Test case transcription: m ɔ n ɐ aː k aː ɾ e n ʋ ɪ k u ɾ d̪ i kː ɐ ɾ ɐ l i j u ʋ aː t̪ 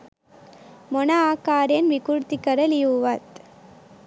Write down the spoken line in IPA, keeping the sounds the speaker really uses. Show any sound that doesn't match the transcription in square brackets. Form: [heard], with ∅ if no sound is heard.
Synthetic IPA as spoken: m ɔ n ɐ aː k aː ɾ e n ʋ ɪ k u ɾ [t̪] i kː ɐ ɾ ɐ l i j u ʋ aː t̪